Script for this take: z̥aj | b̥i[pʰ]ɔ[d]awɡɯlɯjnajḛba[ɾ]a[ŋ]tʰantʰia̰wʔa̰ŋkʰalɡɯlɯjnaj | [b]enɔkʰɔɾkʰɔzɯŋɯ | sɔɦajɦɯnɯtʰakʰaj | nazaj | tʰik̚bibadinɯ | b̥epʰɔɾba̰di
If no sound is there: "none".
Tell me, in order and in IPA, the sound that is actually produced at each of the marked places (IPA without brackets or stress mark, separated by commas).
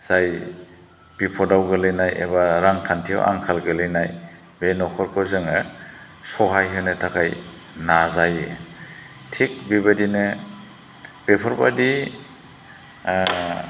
pʰ, d, ɾ, ŋ, b